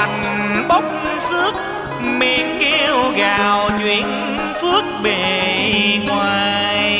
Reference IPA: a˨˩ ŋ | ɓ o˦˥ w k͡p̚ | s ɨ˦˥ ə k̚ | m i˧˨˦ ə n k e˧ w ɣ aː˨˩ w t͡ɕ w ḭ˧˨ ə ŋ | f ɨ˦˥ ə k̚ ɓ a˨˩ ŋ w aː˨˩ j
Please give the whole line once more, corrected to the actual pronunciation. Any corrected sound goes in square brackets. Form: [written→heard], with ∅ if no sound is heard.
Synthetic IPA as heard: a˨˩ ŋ | ɓ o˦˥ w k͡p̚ | s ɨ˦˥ ə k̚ | m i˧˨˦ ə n k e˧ w ɣ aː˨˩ w t͡ɕ w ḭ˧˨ ə [ŋ→n] | f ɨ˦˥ ə k̚ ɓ [a˨˩→e˨˩] ŋ w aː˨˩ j